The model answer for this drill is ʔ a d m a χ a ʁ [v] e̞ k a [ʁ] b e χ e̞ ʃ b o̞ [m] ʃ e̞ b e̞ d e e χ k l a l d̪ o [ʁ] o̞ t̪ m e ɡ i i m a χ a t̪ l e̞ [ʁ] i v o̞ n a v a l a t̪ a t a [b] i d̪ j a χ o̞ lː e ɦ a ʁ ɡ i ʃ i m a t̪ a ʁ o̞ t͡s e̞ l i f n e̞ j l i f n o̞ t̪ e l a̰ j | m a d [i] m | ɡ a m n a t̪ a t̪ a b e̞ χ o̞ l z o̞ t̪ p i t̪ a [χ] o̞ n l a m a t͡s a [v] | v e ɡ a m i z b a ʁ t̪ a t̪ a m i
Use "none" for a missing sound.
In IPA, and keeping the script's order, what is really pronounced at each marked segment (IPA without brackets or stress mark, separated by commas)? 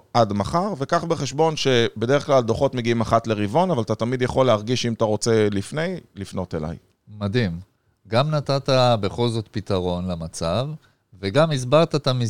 v, χ, n, χ, ʁ, m, i, ʁ, v